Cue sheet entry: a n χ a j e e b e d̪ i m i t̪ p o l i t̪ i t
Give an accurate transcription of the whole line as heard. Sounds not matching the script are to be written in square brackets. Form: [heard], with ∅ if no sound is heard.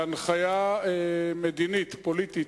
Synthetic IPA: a n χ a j [a] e [m] e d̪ i [n] i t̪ p o l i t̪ i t

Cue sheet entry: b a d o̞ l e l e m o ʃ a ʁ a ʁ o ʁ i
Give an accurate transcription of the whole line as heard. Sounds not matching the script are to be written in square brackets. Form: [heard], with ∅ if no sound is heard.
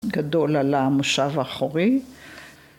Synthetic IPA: [ɡ] a d o̞ l [a] l [a] m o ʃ a [v] a [χ] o ʁ i

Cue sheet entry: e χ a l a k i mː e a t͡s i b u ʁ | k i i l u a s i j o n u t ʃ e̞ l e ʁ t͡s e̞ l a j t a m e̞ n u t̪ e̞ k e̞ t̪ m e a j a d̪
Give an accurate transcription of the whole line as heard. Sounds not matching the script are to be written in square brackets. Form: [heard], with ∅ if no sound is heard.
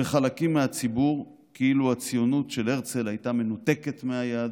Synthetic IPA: e χ a l a k i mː e a t͡s i b u ʁ | k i i l u a [t͡s] i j o n u t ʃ e̞ l e ʁ t͡s e̞ l a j t a m e̞ n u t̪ e̞ k e̞ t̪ m e a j a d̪

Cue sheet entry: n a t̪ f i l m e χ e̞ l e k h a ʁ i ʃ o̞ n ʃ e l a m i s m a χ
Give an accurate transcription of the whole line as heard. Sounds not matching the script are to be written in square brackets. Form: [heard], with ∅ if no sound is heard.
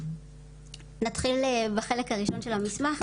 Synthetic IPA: n a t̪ [χ] i l [b] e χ e̞ l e k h a ʁ i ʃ o̞ n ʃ e l a m i s m a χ

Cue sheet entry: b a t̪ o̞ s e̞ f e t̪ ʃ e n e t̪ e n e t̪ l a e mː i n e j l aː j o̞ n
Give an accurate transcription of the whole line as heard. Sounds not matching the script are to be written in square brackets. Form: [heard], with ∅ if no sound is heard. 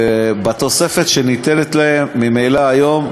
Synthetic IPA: b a t̪ o̞ s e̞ f e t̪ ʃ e n [i] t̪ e n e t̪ l a e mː i [m] e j l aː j o̞ [m]

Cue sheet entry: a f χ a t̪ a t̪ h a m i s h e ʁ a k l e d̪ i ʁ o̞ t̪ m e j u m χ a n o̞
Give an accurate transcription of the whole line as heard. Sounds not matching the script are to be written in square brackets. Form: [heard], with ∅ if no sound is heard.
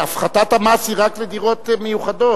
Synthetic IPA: a f χ a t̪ a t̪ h a m [a] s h [i] ʁ a k l e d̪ i ʁ o̞ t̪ m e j u [∅] χ a [d] o̞

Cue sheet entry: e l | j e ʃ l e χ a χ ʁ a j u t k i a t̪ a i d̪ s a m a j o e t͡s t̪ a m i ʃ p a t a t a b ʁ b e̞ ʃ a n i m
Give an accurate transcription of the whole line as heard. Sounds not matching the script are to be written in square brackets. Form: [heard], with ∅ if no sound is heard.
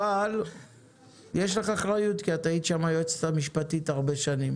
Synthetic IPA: [a] l | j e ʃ l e χ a χ ʁ a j u t k i a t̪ a i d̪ [ʃ] a m a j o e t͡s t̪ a m i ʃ p a t [i] t a [∅] ʁ b e̞ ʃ a n i m

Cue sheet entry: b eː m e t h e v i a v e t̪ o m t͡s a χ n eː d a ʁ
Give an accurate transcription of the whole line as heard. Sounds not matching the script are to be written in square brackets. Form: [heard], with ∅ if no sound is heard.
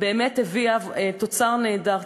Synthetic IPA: b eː m e t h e v i a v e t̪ o [∅] t͡s a [ʁ] n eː d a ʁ

